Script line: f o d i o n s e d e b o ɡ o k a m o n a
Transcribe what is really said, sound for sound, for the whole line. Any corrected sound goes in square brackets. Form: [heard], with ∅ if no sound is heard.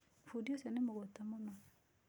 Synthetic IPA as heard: f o d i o [∅] s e [n] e [m] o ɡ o [t] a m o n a